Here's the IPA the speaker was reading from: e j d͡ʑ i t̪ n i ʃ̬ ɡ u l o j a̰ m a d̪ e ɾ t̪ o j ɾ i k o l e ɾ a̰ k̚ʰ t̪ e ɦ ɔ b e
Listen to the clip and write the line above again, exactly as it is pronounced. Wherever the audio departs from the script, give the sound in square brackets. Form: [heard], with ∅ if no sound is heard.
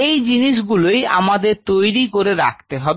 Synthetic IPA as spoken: e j d͡ʑ i [∅] n i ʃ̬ ɡ u l o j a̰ m a d̪ e ɾ t̪ o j ɾ i k o [ɾ] e ɾ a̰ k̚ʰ t̪ e ɦ ɔ b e